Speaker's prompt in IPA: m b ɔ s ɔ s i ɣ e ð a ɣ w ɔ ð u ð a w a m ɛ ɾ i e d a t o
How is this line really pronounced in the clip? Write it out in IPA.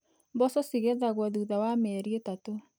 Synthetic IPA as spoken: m b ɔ s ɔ s i ɣ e ð a ɣ w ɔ ð u ð a w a m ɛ ɾ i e t a t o